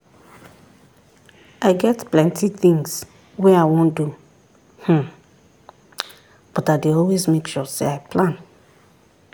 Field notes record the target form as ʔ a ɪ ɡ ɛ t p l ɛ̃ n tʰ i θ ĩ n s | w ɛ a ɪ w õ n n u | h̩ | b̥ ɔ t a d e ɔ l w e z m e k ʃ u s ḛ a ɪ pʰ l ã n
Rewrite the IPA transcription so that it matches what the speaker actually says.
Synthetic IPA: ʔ a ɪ ɡ ɛ t p l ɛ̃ n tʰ i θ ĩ ŋ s | w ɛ a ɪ w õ n d u | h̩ | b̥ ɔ t a d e ɔ l w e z m e k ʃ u s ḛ a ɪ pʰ l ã n